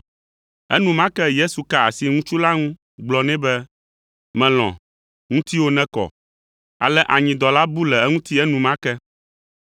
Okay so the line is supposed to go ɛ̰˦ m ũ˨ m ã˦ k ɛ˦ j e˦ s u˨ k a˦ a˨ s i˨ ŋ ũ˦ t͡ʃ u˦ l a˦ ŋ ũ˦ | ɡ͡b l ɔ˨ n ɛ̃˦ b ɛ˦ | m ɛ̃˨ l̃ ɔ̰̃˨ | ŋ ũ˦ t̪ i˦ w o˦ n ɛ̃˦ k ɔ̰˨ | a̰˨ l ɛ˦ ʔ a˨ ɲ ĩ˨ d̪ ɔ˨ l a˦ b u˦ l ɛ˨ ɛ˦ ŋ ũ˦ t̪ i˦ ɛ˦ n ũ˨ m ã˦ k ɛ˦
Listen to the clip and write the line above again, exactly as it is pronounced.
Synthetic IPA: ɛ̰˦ n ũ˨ m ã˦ k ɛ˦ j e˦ s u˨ k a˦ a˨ s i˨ ŋ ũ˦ t͡ʃ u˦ l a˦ ŋ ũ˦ | ɡ͡b l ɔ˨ n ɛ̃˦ b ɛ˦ | m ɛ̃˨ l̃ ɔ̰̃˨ | ŋ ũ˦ t̪ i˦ w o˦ n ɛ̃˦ k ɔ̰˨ | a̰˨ l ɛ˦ ʔ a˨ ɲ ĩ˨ d̪ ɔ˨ l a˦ b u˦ l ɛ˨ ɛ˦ ŋ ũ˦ t̪ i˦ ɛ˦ n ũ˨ m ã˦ k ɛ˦